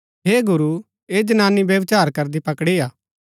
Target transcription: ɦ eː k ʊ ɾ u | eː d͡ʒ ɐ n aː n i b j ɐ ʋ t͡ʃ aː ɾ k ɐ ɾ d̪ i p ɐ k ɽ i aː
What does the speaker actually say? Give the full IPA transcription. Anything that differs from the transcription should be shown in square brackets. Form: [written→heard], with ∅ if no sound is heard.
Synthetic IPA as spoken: ɦ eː [k→ɡ] ʊ ɾ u | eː d͡ʒ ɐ n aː n i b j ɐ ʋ t͡ʃ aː ɾ k ɐ ɾ d̪ i p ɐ k ɽ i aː

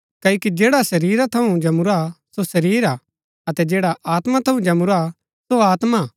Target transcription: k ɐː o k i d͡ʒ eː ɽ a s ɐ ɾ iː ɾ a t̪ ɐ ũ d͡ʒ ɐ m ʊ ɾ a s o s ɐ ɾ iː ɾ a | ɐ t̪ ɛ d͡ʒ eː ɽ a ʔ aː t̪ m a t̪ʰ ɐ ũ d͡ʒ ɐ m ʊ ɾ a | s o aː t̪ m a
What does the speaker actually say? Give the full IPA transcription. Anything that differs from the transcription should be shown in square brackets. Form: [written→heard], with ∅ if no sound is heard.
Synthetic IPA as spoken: k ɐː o k i d͡ʒ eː ɽ a s ɐ ɾ iː ɾ a [t̪→t̪ʰ] ɐ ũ d͡ʒ ɐ m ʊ ɾ a s o s ɐ ɾ iː ɾ a | ɐ t̪ ɛ d͡ʒ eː ɽ a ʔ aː t̪ m a t̪ʰ ɐ ũ d͡ʒ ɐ m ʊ ɾ a | s o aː t̪ m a

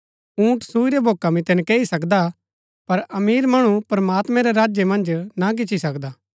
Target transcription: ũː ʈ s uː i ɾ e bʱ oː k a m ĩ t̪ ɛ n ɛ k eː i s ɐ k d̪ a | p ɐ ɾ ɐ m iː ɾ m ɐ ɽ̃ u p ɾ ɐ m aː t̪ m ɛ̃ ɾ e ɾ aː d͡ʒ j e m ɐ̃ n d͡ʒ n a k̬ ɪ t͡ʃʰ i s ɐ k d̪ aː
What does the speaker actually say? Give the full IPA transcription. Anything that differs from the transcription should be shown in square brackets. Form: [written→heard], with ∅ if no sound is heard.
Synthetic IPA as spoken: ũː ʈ s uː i ɾ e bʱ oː k a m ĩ t̪ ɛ n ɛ k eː i s ɐ k d̪ a | p ɐ ɾ ɐ m iː ɾ m ɐ ɽ̃ u p ɾ ɐ m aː t̪ m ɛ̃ ɾ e ɾ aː d͡ʒ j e m ɐ̃ n d͡ʒ n a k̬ ɪ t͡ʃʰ i s ɐ k d̪ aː

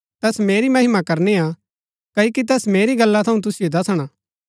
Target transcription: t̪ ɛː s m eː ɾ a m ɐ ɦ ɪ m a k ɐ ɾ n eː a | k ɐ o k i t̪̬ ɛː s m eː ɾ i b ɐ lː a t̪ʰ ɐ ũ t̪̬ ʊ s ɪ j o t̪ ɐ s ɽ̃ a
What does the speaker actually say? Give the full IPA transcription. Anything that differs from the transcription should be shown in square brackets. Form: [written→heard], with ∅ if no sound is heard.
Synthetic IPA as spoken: t̪ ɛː s m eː ɾ [a→i] m ɐ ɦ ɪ m a k ɐ ɾ n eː a | k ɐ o k i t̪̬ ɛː s m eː ɾ i [b→ɡ] ɐ lː a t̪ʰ ɐ ũ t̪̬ ʊ s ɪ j o [t̪→d̪] ɐ s ɽ̃ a

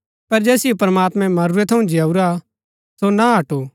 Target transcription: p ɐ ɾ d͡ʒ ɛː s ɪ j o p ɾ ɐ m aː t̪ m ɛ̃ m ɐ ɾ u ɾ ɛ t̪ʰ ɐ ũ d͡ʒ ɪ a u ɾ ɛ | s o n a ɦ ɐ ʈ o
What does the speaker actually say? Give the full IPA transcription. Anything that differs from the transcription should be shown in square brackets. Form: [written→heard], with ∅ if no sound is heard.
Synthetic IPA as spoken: p ɐ ɾ d͡ʒ ɛː s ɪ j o p ɾ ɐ m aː t̪ m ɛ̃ m ɐ ɾ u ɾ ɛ t̪ʰ ɐ ũ d͡ʒ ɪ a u ɾ [ɛ→a] | s o n a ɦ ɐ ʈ o

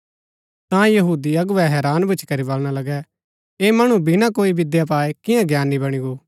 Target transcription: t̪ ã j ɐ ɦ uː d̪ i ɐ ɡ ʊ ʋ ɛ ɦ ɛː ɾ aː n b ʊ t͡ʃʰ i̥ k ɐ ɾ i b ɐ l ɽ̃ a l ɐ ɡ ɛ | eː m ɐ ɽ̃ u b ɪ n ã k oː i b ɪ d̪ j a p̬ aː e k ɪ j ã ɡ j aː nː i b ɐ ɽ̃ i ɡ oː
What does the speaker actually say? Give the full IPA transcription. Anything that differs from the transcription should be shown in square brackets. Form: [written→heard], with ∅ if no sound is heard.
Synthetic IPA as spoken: t̪ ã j ɐ ɦ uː d̪ i ɐ ɡ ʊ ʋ ɛ ɦ ɛː ɾ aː n b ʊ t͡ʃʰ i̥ k ɐ ɾ i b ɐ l ɽ̃ a l ɐ ɡ ɛ | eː m ɐ ɽ̃ u b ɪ n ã k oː i b ɪ d̪ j a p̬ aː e k ɪ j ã ɡ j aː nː i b ɐ ɽ̃ i ɡ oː

